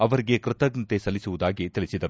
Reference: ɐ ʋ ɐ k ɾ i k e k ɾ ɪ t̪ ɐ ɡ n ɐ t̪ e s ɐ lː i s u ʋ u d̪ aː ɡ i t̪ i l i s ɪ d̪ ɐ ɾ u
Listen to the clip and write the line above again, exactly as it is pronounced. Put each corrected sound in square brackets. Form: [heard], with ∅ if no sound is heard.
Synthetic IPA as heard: ɐ ʋ ɐ [∅] ɾ i [ɡ] e k ɾ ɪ t̪ ɐ ɡ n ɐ t̪ e s ɐ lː i s u ʋ u d̪ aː ɡ i t̪ i l i s [i] d̪ ɐ ɾ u

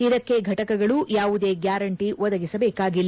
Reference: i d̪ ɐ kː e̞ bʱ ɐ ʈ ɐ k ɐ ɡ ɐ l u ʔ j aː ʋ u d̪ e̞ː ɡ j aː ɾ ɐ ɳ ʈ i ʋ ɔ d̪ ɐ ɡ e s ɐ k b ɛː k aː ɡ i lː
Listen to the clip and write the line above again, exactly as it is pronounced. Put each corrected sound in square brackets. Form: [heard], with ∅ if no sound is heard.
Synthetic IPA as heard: i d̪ ɐ kː e̞ [ɡʱ] ɐ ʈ ɐ k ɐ ɡ ɐ [ɭ] u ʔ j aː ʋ u d̪ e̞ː ɡ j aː ɾ ɐ ɳ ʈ i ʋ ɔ d̪ ɐ ɡ [i] s ɐ [∅] b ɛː k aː ɡ i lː

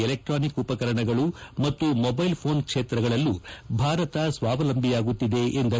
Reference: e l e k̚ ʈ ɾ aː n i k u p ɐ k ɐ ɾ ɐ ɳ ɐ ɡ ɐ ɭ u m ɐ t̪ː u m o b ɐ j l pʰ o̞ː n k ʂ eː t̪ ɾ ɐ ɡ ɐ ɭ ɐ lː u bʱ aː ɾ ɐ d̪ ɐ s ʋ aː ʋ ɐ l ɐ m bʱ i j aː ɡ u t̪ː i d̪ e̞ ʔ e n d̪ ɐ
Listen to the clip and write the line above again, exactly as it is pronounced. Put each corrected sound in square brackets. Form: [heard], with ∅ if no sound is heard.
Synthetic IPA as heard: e l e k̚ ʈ ɾ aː n i k u p ɐ k ɐ ɾ ɐ ɳ ɐ ɡ ɐ ɭ u m ɐ t̪ː u m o b ɐ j l pʰ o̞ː n k ʂ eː t̪ ɾ ɐ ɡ ɐ ɭ ɐ lː u bʱ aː ɾ ɐ [t̪] ɐ s ʋ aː ʋ ɐ l ɐ m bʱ i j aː ɡ u t̪ː i d̪ e̞ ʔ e n d̪ ɐ

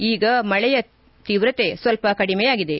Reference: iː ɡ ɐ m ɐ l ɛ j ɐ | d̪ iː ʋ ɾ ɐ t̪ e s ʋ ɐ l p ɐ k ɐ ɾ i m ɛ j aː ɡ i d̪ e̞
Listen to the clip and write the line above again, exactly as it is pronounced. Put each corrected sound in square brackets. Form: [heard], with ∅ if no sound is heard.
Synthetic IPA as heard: iː ɡ ɐ m ɐ [ɭ] ɛ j ɐ | [t̪] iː ʋ ɾ ɐ t̪ e s ʋ ɐ l p ɐ k ɐ [ɽ] i m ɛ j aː ɡ i d̪ e̞

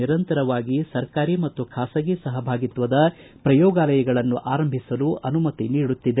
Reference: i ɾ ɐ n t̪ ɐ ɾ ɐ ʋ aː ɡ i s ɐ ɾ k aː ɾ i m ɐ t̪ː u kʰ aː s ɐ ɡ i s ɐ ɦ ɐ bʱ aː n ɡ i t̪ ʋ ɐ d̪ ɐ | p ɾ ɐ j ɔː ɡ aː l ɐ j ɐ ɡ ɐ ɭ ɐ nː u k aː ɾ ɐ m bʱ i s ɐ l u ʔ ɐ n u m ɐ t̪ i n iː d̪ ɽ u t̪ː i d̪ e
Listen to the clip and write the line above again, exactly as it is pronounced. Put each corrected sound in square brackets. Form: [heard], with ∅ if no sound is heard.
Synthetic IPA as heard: i ɾ ɐ n t̪ ɐ ɾ ɐ ʋ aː ɡ i s ɐ ɾ k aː ɾ i m ɐ t̪ː u kʰ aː s ɐ ɡ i s ɐ ɦ ɐ bʱ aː [∅] ɡ i t̪ ʋ ɐ d̪ ɐ | p ɾ ɐ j ɔː ɡ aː l ɐ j ɐ ɡ ɐ ɭ ɐ nː u [ʔ] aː ɾ ɐ m bʱ i s ɐ l u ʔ ɐ n u m ɐ t̪ i n iː [∅] ɽ u t̪ː i d̪ e

